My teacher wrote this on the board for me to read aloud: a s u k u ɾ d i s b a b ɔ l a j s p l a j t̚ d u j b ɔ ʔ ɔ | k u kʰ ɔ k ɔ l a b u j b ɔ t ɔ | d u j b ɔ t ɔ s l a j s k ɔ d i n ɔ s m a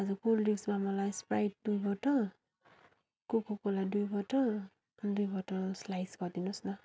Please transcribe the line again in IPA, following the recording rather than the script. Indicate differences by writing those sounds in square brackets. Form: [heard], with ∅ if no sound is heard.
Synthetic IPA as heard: a [z] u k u [l] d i s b a [m] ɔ l a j s p [ɹ] a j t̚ d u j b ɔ [t] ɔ | k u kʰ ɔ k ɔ l a [d] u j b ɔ t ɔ | d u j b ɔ t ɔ s l a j s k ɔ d i n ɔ s [n] a